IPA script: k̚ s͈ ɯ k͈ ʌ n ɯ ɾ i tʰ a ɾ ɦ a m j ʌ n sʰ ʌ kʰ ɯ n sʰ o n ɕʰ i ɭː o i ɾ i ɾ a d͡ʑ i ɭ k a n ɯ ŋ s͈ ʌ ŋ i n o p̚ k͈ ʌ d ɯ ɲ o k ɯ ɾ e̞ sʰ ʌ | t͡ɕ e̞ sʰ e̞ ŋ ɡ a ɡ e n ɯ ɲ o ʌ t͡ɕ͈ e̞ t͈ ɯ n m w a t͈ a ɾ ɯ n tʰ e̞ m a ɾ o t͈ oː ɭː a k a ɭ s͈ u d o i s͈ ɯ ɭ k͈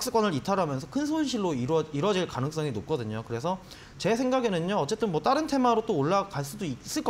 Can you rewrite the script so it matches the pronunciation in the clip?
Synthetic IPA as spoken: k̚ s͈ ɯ k͈ ʌ n ɯ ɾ i tʰ a ɾ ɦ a m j ʌ n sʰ ʌ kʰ ɯ n sʰ o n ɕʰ i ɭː o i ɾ i ɾ ʌ d͡ʑ i ɭ k a n ɯ ŋ s͈ ʌ ŋ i n o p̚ k͈ ʌ d ɯ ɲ o k ɯ ɾ e̞ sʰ ʌ | t͡ɕ e̞ sʰ e̞ ŋ ɡ a ɡ e n ɯ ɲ o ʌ t͡ɕ͈ e̞ t͈ ɯ n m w ʌ t͈ a ɾ ɯ n tʰ e̞ m a ɾ o t͈ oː ɭː a k a ɭ s͈ u d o i s͈ ɯ ɭ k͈

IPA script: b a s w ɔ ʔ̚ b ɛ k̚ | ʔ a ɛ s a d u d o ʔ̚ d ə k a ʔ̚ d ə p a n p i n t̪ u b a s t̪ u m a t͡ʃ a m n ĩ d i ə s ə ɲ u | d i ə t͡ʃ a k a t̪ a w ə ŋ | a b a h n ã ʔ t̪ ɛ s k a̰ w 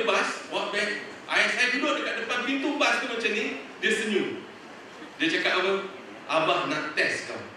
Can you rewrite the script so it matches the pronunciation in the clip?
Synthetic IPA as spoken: b a s w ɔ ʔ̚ b ɛ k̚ | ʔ a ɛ s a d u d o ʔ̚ d ə k a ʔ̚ d ə p a n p i n t̪ u b a s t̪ u m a t͡ʃ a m n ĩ d i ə s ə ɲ u | d i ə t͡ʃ a k a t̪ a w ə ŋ | a b a h n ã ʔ t̪ ɛ s k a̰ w

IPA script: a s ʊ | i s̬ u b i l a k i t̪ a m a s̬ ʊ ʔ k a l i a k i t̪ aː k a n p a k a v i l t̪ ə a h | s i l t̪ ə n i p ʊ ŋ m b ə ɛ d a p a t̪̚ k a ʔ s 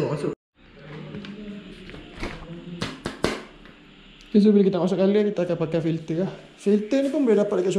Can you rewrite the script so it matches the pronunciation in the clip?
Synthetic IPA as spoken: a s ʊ | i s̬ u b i l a k i t̪ a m a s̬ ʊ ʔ k a l i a k i t̪ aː k a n p a k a f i l t̪ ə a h | f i l t̪ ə n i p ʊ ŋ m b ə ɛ d a p a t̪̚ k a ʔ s

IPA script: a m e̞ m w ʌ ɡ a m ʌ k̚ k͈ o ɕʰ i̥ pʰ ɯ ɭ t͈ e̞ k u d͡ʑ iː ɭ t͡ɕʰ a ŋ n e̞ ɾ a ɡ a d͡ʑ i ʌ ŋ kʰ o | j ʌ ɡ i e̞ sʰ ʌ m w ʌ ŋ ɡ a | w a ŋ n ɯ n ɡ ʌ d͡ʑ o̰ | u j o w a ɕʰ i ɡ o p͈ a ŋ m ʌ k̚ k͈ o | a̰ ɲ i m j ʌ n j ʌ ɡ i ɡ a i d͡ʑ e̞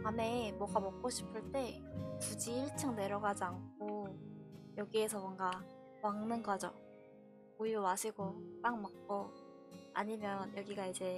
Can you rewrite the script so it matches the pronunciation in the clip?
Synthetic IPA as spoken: a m e̞ m w ʌ ɡ a m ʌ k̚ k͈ o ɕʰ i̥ pʰ ɯ ɭ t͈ e̞ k u d͡ʑ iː ɭ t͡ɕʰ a ŋ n e̞ ɾ ʌ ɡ a d͡ʑ i a ŋ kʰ o | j ʌ ɡ i e̞ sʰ ʌ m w ʌ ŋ ɡ a | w a ŋ n ɯ n ɡ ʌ d͡ʑ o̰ | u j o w a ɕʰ i ɡ o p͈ a ŋ m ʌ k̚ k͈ o | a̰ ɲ i m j ʌ n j ʌ ɡ i ɡ a i d͡ʑ e̞

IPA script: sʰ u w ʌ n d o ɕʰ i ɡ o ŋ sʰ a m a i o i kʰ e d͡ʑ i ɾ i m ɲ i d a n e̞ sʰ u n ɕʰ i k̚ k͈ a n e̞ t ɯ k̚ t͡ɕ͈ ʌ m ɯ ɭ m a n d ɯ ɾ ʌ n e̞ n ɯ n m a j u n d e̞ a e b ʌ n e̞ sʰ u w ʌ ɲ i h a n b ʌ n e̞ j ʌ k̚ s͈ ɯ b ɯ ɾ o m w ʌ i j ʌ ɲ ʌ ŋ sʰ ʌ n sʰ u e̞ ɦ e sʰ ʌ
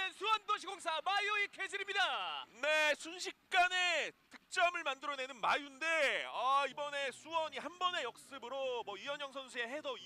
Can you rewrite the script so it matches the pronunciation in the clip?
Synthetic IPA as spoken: sʰ u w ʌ n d o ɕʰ i ɡ o ŋ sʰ a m a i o i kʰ e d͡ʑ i ɾ i m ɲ i d a n e̞ sʰ u n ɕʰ i k̚ k͈ a n e̞ t ɯ k̚ t͡ɕ͈ ʌ m ɯ ɭ m a n d ɯ ɾ ʌ n e̞ n ɯ n m a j u n d e̞ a i b ʌ n e̞ sʰ u w ʌ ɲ i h a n b ʌ n e̞ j ʌ k̚ s͈ ɯ b ɯ ɾ o m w ʌ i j ʌ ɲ ʌ ŋ sʰ ʌ n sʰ u e̞ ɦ e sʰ ʌ

